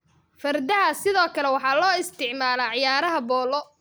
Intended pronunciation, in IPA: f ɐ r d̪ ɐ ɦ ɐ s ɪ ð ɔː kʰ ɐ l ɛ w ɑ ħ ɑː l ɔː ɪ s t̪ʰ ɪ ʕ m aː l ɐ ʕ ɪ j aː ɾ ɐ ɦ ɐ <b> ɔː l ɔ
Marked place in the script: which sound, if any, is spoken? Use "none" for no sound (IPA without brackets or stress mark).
b